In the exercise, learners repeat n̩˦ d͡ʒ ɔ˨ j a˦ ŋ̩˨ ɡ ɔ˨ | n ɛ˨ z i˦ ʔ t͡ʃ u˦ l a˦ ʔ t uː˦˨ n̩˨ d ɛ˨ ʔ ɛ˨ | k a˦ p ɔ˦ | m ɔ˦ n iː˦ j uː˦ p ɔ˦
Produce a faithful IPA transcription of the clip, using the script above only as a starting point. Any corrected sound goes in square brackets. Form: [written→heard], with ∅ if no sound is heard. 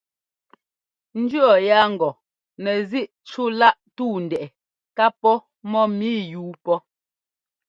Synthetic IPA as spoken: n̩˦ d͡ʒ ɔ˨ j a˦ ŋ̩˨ ɡ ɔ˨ | n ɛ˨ z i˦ ʔ t͡ʃ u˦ l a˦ ʔ t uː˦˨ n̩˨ d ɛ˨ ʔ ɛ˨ | k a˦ p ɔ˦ | m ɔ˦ [n→m] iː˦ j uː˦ p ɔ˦

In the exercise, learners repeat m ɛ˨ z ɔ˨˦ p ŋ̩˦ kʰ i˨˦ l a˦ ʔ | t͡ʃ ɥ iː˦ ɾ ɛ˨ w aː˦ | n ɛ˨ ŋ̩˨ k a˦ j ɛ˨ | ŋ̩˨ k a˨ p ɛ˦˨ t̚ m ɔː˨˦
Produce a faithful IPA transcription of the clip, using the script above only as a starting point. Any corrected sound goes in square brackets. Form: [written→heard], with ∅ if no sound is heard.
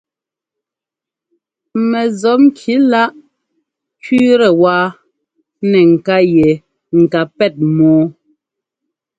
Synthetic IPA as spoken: m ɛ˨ z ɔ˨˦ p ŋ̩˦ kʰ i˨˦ l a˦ ʔ | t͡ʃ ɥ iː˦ ɾ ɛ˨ w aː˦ | n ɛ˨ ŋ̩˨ k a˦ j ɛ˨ | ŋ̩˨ k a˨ p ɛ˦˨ t̚ m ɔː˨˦

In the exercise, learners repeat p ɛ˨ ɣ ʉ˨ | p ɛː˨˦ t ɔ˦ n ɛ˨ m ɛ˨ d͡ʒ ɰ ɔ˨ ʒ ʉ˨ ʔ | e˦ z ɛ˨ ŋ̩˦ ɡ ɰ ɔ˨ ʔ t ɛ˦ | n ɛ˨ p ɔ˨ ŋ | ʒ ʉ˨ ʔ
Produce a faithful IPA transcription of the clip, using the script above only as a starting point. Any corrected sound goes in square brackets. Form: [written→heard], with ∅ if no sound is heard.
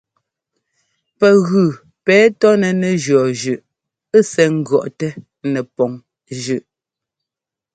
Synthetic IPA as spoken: p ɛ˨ ɣ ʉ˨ | p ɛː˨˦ t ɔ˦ n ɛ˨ [m→n] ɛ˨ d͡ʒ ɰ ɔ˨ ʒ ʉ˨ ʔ | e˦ [z→s] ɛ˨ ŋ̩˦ ɡ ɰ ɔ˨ ʔ t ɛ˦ | n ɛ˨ p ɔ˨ ŋ | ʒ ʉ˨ ʔ

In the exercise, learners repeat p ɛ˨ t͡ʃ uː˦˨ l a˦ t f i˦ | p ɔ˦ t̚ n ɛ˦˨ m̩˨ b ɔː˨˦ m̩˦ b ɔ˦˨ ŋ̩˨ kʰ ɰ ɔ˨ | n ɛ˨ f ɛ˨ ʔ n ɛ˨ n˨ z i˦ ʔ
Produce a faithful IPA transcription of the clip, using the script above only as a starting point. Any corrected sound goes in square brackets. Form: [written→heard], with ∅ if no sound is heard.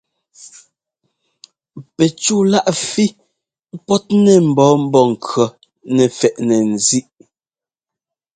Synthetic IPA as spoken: p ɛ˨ t͡ʃ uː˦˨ l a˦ [t→ʔ] f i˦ | p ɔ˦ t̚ n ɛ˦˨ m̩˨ b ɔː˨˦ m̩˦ b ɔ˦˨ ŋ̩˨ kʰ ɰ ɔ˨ | n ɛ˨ f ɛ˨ ʔ n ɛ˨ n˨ z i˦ ʔ

